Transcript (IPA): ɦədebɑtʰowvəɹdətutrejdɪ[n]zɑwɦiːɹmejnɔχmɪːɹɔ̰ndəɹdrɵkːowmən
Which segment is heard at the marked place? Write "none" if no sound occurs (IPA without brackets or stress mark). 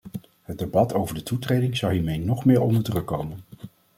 ŋ